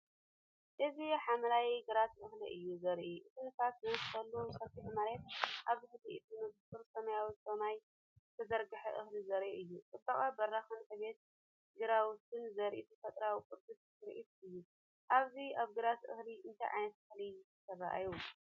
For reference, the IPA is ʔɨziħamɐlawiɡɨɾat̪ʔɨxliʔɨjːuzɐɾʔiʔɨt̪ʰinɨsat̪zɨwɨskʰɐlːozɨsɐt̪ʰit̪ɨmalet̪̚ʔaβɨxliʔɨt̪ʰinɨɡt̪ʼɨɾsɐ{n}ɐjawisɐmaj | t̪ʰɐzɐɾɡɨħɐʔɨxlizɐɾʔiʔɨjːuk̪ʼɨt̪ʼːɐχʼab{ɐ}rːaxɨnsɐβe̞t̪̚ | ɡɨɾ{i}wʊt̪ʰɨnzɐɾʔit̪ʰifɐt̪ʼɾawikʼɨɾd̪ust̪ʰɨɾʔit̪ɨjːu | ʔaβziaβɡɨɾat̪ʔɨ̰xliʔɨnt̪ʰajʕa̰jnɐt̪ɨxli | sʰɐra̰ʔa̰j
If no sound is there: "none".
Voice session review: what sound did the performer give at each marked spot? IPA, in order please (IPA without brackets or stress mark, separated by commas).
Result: m, ɐ, a